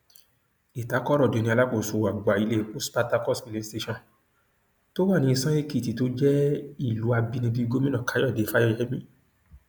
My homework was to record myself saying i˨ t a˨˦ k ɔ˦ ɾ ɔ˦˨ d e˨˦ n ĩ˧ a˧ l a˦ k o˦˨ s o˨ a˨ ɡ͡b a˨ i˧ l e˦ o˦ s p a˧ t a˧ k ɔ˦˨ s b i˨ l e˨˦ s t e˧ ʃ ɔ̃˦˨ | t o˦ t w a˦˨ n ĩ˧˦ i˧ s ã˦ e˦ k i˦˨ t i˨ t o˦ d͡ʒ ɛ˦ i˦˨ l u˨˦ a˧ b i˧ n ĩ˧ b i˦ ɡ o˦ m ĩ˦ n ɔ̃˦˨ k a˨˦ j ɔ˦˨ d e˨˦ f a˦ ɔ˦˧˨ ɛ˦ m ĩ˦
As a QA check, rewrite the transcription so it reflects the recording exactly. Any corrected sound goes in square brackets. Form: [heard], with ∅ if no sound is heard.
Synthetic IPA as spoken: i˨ t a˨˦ k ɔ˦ ɾ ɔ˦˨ d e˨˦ n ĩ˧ a˧ l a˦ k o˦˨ s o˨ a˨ ɡ͡b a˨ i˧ l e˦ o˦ s p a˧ t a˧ k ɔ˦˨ s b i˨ l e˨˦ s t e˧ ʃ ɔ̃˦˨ | t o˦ [∅] w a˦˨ n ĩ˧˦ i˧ s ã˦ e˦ k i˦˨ t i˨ t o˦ d͡ʒ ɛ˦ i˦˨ l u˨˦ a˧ b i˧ n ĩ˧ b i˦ ɡ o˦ m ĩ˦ n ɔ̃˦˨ k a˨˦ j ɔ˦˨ d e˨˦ f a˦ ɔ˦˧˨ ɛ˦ m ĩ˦